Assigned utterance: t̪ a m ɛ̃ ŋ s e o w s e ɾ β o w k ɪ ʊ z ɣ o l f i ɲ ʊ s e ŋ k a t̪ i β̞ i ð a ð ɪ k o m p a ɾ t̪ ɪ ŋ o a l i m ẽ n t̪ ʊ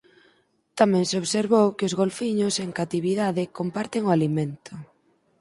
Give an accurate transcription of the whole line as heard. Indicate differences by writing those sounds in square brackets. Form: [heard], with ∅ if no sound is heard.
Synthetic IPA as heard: t̪ a m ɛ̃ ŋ s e o [β] s e ɾ β o w k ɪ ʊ z ɣ o l f i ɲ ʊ s e ŋ k a t̪ i β̞ i ð a ð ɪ k o m p a ɾ t̪ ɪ ŋ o a l i m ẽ n t̪ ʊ